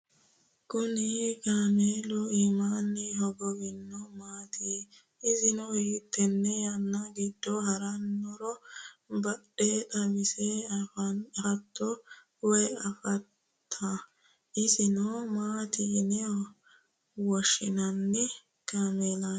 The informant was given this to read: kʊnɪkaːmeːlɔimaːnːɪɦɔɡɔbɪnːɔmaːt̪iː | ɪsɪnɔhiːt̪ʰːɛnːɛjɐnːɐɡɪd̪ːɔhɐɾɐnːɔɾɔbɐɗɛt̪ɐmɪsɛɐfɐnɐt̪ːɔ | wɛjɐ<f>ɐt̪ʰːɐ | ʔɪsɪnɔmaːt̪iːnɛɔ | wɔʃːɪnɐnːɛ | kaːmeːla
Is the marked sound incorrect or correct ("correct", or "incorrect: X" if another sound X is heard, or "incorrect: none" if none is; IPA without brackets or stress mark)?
correct